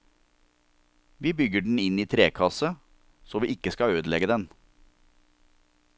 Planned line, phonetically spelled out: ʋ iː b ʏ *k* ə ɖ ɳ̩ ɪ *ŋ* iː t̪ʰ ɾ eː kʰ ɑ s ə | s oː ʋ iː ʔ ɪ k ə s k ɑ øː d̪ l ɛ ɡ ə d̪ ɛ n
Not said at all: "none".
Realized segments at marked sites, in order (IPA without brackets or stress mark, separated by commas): ɡ, n